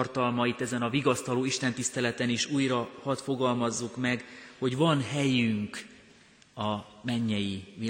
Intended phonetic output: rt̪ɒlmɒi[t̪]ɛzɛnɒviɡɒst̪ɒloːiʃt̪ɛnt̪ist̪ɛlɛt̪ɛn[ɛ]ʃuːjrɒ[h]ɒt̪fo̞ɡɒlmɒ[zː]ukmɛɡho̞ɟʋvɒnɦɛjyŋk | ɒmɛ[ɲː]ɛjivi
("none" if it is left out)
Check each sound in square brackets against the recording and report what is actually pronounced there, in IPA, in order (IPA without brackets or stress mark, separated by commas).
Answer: t̪, i, h, zː, ɲː